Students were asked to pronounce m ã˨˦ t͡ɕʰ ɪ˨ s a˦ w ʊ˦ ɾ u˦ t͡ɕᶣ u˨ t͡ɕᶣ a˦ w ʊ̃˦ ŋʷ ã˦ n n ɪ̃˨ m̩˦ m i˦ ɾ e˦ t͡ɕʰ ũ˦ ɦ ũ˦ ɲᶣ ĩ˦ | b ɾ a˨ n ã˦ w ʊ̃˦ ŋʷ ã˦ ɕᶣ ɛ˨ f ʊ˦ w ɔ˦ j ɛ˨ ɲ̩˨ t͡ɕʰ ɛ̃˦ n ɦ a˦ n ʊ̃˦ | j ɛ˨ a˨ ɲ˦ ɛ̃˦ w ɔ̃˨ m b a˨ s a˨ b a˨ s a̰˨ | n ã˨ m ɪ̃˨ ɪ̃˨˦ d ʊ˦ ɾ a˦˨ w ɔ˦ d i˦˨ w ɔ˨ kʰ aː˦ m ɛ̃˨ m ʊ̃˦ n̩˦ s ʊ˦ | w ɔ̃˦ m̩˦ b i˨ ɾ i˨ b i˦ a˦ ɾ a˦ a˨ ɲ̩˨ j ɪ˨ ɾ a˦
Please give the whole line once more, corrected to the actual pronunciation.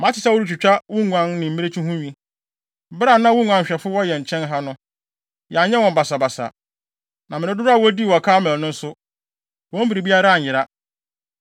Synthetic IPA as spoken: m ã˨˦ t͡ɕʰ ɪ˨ s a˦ w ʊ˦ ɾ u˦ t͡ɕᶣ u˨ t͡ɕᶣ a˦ w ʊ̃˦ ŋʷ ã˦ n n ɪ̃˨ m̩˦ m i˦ ɾ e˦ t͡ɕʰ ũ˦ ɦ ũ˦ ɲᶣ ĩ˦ | b ɾ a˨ n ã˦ w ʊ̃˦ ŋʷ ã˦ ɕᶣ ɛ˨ f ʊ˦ w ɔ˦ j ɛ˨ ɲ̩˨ t͡ɕʰ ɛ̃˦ n ɦ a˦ n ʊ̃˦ | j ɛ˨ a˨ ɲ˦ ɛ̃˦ w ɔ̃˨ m b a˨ s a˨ b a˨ s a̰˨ | n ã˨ m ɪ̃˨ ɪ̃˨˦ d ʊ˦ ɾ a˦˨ w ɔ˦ d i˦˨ w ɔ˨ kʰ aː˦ m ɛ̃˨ n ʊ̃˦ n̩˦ s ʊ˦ | w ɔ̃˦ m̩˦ b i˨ ɾ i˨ b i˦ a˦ ɾ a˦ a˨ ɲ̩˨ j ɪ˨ ɾ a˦